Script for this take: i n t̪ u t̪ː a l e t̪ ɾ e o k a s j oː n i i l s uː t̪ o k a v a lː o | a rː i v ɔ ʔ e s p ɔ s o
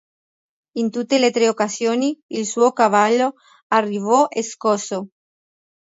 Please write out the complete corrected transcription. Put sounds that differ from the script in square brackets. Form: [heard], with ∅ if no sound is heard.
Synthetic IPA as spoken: i n t̪ u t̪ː [e] l e t̪ ɾ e o k a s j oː n i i l s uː [∅] o k a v a lː o | a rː i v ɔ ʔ e s [k] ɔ s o